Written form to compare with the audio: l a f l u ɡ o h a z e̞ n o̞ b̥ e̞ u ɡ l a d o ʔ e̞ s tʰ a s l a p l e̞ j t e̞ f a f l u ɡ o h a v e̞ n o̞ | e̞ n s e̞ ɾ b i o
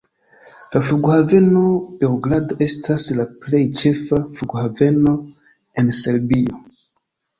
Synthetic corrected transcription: l a f l u ɡ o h a v e̞ n o̞ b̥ e̞ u ɡ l a d o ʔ e̞ s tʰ a s l a p l e̞ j t͡ʃ e̞ f a f l u ɡ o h a v e̞ n o̞ | e̞ n s e̞ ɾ b i o